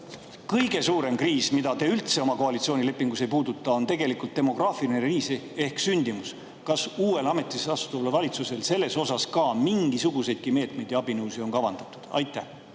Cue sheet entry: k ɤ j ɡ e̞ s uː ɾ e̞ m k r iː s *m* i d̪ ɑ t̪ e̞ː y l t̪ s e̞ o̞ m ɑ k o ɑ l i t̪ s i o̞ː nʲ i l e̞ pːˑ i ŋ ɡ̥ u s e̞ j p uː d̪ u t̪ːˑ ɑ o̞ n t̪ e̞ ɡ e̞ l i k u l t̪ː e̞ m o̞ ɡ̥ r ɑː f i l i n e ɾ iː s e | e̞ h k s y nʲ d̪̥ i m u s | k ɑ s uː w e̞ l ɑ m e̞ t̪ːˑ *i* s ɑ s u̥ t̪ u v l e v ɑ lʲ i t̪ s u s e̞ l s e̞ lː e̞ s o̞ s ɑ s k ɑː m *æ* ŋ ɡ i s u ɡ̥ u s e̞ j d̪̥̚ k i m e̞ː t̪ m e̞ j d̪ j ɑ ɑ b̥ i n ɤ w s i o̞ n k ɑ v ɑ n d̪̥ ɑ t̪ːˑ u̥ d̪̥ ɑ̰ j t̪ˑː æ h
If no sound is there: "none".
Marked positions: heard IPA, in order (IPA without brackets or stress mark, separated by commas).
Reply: m, i, i